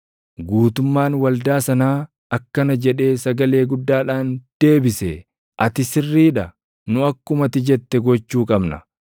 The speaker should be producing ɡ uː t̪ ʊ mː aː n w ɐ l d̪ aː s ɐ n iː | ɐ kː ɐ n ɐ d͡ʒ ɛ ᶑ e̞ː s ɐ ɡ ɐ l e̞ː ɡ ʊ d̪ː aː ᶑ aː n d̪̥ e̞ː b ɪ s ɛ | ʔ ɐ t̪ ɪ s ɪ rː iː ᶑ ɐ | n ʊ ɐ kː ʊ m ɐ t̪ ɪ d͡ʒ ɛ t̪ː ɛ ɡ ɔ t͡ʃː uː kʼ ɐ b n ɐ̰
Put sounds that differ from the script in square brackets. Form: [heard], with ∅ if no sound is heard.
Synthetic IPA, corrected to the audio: ɡ uː t̪ ʊ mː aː n w ɐ l d̪ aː s ɐ n [aː] | ɐ kː ɐ n ɐ d͡ʒ ɛ ᶑ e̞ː s ɐ ɡ ɐ l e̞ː ɡ ʊ d̪ː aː ᶑ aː n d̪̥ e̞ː b ɪ s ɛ | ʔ ɐ t̪ ɪ s ɪ rː iː ᶑ ɐ | n ʊ ɐ kː ʊ m ɐ t̪ ɪ d͡ʒ ɛ t̪ː ɛ ɡ ɔ t͡ʃː uː kʼ ɐ b n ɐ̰